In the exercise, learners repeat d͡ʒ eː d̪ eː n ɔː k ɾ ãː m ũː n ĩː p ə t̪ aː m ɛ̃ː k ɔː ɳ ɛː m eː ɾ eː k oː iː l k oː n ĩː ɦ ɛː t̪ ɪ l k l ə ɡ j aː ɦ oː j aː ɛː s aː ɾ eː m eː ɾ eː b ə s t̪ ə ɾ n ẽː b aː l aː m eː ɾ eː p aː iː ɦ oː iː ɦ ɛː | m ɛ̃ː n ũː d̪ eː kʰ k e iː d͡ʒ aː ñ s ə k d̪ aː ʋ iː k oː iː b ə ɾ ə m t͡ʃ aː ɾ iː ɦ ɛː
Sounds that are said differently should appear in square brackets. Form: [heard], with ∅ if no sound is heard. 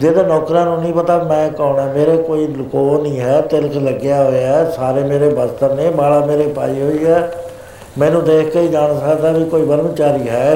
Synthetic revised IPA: d͡ʒ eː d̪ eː n ɔː k ɾ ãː [n] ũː n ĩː p ə t̪ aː m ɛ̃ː k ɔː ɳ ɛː m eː ɾ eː k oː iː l k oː n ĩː ɦ ɛː t̪ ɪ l k l ə ɡ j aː ɦ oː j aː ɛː s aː ɾ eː m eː ɾ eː b ə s t̪ ə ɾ n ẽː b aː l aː m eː ɾ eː p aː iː ɦ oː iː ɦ ɛː | m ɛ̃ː n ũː d̪ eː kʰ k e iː d͡ʒ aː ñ s ə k d̪ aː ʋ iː k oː iː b ə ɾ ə m t͡ʃ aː ɾ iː ɦ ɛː